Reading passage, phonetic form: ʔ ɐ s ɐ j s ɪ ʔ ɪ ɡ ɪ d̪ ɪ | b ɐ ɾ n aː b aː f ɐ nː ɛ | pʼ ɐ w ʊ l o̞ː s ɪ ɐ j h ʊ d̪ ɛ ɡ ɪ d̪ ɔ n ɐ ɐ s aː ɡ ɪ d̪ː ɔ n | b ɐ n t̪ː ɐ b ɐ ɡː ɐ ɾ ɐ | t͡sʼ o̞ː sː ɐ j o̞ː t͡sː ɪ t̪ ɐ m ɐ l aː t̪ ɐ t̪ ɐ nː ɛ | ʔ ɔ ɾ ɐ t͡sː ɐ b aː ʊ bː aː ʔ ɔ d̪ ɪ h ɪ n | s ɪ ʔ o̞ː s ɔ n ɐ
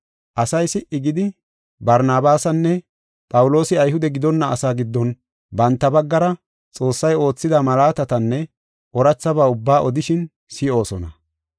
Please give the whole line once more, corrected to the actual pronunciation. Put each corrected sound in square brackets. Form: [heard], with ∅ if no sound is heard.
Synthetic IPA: ʔ ɐ s ɐ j s ɪ ʔ ɪ ɡ ɪ d̪ ɪ | b ɐ ɾ n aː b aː [s] ɐ nː ɛ | pʼ ɐ w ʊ l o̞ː s ɪ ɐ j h ʊ d̪ ɛ ɡ ɪ d̪ ɔ [nː] ɐ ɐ s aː ɡ ɪ d̪ː ɔ n | b ɐ n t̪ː ɐ b ɐ ɡː ɐ ɾ ɐ | t͡sʼ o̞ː sː ɐ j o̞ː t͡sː ɪ [d̪] ɐ m ɐ l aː t̪ ɐ t̪ ɐ nː ɛ | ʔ ɔ ɾ ɐ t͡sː ɐ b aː ʊ bː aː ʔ ɔ d̪ ɪ [ʃ] ɪ n | s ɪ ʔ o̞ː s ɔ n ɐ